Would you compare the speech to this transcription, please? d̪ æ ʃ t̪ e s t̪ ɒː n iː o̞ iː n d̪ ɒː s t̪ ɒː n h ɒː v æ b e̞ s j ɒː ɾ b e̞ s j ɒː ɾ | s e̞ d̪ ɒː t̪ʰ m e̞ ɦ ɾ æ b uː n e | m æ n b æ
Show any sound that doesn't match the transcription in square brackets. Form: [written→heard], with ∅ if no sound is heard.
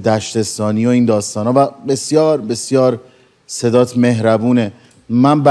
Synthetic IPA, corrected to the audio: d̪ æ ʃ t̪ e s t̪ ɒː n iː o̞ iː n d̪ ɒː s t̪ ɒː n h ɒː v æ b e̞ s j ɒː ɾ b e̞ s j ɒː ɾ | s e̞ d̪ ɒː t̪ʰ m e̞ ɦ ɾ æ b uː n e | m æ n b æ